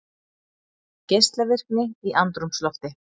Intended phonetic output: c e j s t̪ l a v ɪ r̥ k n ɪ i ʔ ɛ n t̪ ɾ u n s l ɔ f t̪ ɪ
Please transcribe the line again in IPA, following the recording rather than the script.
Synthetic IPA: c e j s t̪ l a v ɪ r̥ k n ɪ i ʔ a n t̪ ɾ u m s l ɔ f t̪ ɪ